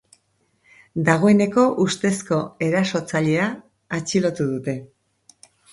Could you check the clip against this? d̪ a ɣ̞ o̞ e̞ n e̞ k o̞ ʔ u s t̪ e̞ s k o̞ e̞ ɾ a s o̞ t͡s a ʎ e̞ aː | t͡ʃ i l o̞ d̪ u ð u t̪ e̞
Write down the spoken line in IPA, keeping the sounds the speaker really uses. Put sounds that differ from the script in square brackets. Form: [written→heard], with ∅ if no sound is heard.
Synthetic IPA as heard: d̪ a ɣ̞ o̞ e̞ n e̞ k o̞ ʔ u s t̪ e̞ s k o̞ e̞ ɾ a s o̞ t͡s a ʎ e̞ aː | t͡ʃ i l o̞ [d̪→t̪] u ð u t̪ e̞

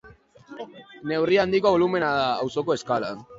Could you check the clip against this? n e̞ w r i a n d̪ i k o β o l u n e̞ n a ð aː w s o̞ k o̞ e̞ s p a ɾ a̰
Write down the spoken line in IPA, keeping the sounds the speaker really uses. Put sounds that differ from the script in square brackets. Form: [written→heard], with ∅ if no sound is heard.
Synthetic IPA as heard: n e̞ w r i a n d̪ i k o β o l u [n→m] e̞ n a ð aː w s o̞ k o̞ e̞ s [p→k] a [ɾ→l] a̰

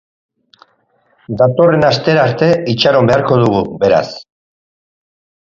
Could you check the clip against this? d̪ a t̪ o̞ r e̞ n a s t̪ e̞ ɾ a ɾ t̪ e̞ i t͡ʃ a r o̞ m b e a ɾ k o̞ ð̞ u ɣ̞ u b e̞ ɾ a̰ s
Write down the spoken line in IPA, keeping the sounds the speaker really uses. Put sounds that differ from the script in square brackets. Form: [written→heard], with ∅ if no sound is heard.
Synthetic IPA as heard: d̪ a t̪ o̞ r e̞ n a s t̪ e̞ ɾ a ɾ t̪ e̞ i t͡ʃ a [r→ɾ] o̞ m b e a ɾ k o̞ ð̞ u ɣ̞ u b e̞ ɾ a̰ s

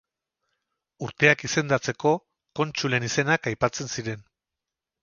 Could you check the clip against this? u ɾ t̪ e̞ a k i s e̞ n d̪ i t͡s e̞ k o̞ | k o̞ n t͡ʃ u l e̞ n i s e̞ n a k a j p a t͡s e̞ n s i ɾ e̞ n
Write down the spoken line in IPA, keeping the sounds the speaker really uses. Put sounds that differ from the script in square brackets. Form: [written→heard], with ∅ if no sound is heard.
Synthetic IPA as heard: u ɾ t̪ e̞ a k i s e̞ n d̪ [i→a] t͡s e̞ k o̞ | k o̞ n t͡ʃ u l e̞ n i s e̞ n a k a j p a t͡s e̞ n s i ɾ e̞ n

